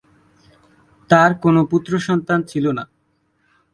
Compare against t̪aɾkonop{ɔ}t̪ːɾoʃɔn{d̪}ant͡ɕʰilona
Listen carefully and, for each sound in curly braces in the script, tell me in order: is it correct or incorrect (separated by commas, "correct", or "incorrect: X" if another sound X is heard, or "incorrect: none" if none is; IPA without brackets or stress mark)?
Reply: incorrect: u, incorrect: t̪